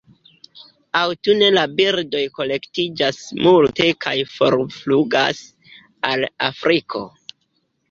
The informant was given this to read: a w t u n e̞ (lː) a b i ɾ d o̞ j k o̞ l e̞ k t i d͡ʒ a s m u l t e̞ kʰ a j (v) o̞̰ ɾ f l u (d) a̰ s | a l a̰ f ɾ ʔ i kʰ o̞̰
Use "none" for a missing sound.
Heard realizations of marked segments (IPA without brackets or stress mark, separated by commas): l, f, ɡ